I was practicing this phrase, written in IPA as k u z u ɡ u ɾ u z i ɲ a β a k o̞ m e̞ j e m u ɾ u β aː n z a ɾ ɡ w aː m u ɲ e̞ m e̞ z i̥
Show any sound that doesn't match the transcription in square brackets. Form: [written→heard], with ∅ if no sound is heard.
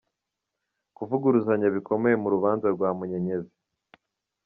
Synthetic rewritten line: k u [z→v] u ɡ u ɾ u z [i→a] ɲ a β [a→i] k o̞ m e̞ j e m u ɾ u β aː n z a ɾ ɡ w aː m u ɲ e̞ [m→ɲ] e̞ z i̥